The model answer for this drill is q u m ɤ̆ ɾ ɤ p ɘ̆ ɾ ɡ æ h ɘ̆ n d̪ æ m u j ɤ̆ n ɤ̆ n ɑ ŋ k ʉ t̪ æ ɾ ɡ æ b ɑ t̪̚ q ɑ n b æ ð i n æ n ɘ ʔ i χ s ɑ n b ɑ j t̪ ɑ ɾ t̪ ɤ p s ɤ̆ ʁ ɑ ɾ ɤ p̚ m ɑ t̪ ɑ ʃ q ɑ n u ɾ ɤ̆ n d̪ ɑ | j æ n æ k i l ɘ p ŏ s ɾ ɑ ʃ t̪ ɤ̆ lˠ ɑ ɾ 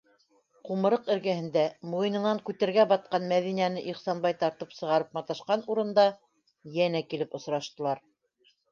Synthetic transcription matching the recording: q u m ɤ̆ ɾ ɤ q ɘ̆ ɾ ɡ æ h ɘ̆ n d̪ æ m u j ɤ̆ n ɤ̆ n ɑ ŋ k ʉ t̪ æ ɾ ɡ æ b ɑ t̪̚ q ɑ n m æ ð i n æ n ɘ ʔ i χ s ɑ n b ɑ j t̪ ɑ ɾ t̪ ɤ p s ɤ̆ ʁ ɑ ɾ ɤ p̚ m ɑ t̪ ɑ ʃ q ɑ n u ɾ ɤ̆ n d̪ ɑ | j æ n æ k i l ɘ p ŏ s ɾ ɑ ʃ t̪ ɤ̆ lˠ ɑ ɾ

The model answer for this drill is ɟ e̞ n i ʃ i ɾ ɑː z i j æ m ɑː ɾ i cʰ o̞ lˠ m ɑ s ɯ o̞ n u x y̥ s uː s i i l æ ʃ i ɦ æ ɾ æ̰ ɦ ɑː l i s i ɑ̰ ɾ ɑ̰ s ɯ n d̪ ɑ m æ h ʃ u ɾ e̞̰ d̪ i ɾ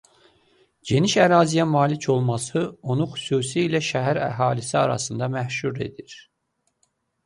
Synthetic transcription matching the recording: ɟ e̞ n i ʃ æ ɾ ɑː z i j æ m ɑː l i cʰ o̞ lˠ m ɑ s ɯ o̞ n u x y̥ s uː s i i l æ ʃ æ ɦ æ ɾ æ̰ ɦ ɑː l i s i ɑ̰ ɾ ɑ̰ s ɯ n d̪ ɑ m æ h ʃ u ɾ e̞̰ d̪ i ɾ

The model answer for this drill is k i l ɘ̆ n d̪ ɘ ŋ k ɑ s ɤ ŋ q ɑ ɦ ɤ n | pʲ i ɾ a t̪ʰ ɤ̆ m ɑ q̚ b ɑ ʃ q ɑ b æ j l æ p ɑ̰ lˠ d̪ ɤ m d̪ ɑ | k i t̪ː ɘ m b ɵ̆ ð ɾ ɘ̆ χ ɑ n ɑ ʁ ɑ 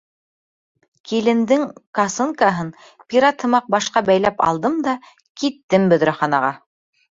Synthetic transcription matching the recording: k i l ɘ̆ n d̪ ɘ ŋ k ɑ s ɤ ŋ k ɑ ɦ ɤ n | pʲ i ɾ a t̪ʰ ɤ̆ m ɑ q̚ b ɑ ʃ q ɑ b æ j l æ p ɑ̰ lˠ d̪ ɤ m d̪ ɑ | k i t̪ː ɘ m b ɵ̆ ð ɾ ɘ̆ χ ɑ n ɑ ʁ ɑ

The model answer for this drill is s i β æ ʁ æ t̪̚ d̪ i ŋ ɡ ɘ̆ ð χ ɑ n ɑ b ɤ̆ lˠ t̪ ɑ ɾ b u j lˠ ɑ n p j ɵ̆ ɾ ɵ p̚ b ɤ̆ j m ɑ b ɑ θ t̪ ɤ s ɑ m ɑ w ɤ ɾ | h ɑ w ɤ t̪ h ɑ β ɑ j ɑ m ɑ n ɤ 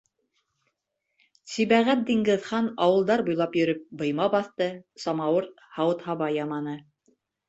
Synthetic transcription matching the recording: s i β æ ʁ æ t̪̚ d̪ i ŋ ɡ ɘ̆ ð χ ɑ n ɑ w ɤ̆ lˠ d̪ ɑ ɾ b u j lˠ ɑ p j ɵ̆ ɾ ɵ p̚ b ɤ̆ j m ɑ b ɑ θ t̪ ɤ s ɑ m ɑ w ɤ ɾ | h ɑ w ɤ t̪ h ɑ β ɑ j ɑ m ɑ n ɤ

